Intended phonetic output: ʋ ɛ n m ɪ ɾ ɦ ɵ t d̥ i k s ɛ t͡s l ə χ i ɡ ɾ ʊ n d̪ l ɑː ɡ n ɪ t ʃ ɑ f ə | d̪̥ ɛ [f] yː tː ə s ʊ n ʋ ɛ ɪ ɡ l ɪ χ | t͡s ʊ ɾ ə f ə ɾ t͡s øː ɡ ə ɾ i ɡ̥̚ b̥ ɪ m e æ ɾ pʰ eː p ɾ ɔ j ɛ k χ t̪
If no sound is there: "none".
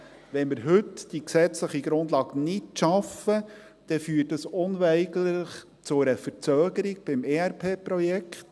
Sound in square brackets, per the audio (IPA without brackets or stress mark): f